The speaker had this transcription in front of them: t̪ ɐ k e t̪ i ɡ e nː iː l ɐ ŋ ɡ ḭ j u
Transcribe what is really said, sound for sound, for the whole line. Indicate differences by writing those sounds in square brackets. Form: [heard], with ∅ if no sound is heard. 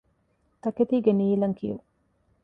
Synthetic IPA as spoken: t̪ ɐ k e t̪ [iː] ɡ e [n] iː l ɐ ŋ [k] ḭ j u

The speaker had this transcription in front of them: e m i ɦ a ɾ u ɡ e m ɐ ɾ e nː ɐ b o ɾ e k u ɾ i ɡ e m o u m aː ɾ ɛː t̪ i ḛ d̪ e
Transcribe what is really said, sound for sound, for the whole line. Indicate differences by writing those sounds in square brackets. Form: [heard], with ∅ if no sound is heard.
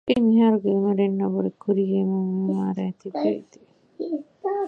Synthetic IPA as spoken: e m i ɦ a ɾ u ɡ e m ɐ ɾ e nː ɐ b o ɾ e k u ɾ i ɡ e m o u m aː ɾ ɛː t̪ i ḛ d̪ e

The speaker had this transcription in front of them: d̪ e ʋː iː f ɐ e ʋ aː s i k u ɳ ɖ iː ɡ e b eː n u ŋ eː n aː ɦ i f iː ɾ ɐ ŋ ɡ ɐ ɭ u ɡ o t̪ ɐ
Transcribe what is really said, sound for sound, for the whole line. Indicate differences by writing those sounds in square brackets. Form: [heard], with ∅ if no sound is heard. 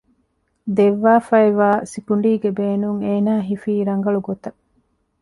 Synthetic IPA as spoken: d̪ e ʋː [aː] f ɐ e ʋ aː s i k u ɳ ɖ iː ɡ e b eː n u ŋ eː n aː ɦ i f iː ɾ ɐ ŋ ɡ ɐ ɭ u ɡ o t̪ ɐ

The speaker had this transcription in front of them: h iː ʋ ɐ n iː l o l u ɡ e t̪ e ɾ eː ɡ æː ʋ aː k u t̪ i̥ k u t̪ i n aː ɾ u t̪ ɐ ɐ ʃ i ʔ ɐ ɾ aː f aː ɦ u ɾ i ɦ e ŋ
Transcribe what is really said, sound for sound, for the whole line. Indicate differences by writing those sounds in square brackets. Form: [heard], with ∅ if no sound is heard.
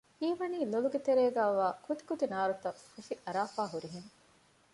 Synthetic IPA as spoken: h iː ʋ ɐ n iː l o l u ɡ e t̪ e ɾ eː ɡ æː ʋ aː k u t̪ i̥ k u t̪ i n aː ɾ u t̪ ɐ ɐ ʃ i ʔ ɐ ɾ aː f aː ɦ u ɾ i ɦ e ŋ

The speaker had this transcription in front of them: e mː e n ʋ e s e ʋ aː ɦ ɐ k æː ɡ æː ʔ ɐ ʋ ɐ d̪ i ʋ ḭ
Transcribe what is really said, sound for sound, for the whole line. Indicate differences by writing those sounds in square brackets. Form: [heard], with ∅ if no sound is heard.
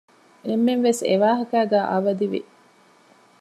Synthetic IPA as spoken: e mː e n ʋ e s e ʋ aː ɦ ɐ k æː ɡ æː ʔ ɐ ʋ ɐ d̪ i ʋ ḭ

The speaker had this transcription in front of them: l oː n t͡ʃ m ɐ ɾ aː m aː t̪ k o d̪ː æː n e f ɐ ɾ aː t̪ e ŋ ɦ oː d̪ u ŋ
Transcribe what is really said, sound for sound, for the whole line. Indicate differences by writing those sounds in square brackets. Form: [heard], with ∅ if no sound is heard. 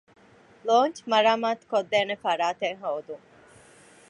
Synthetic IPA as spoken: l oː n t͡ʃ m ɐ ɾ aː m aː t̪ k o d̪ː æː n e f ɐ ɾ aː t̪ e ŋ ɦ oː d̪ u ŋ

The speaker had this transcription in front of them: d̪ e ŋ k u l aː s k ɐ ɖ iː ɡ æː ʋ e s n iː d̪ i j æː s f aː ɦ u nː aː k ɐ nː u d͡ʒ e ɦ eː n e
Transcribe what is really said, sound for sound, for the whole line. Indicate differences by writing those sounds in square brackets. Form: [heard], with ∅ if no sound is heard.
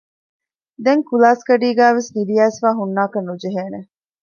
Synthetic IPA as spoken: d̪ e ŋ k u l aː s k ɐ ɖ iː ɡ æː ʋ e s n [i] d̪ i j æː s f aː ɦ u nː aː k ɐ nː u d͡ʒ e ɦ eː n e

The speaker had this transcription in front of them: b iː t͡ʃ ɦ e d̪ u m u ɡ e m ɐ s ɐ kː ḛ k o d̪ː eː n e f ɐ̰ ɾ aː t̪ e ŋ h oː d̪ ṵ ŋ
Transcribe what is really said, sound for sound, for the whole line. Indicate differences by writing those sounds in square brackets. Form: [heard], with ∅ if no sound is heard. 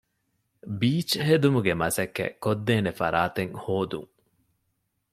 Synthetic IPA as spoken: b iː t͡ʃ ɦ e d̪ u m u ɡ e m ɐ s ɐ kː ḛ k o d̪ː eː n e f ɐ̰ ɾ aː t̪ e ŋ h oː d̪ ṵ ŋ

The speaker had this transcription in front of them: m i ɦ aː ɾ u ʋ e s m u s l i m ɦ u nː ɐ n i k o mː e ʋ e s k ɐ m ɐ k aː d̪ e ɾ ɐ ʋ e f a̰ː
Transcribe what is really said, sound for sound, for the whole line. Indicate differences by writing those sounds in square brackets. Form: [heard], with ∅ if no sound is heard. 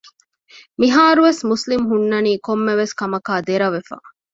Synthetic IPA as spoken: m i ɦ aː ɾ u ʋ e s m u s l i m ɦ u nː ɐ n [iː] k o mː e ʋ e s k ɐ m ɐ k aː d̪ e ɾ ɐ ʋ e f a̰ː

